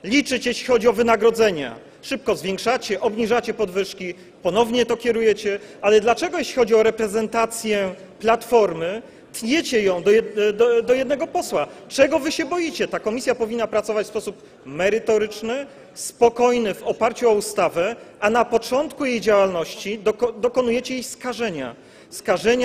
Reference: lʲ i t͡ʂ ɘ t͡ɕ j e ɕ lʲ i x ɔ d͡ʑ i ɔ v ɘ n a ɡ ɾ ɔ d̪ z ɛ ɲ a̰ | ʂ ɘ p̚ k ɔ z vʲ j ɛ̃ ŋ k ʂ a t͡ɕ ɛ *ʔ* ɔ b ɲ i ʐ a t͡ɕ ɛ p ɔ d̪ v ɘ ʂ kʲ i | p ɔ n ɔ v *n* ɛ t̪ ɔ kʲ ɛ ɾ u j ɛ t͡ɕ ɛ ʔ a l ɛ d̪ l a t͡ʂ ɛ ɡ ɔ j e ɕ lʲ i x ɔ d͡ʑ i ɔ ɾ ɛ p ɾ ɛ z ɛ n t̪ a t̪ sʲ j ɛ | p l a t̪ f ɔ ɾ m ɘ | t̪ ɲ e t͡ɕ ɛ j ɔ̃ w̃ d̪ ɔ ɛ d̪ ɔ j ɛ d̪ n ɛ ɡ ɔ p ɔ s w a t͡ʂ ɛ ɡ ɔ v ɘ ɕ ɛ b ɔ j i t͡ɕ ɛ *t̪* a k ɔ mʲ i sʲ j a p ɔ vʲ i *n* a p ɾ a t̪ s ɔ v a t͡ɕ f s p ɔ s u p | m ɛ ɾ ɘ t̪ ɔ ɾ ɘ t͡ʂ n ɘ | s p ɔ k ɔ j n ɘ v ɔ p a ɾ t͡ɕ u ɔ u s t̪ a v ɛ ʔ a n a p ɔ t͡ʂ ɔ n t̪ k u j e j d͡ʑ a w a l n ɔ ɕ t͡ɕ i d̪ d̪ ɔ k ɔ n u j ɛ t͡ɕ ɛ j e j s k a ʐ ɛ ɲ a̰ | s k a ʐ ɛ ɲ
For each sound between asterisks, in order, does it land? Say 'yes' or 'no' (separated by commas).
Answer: yes, no, yes, no